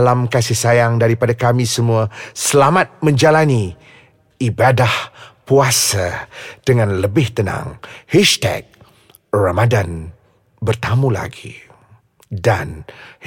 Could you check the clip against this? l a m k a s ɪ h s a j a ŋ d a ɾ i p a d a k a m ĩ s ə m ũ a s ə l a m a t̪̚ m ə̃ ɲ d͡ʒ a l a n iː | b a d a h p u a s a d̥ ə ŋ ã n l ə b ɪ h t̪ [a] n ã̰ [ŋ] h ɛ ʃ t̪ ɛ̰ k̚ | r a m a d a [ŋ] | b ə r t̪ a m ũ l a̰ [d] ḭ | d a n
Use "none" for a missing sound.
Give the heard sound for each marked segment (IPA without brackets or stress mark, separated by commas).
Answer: ə, ŋ, n, ɡ